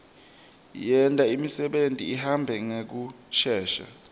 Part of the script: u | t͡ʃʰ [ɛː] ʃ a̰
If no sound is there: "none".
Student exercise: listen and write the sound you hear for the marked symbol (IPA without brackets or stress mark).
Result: ɛː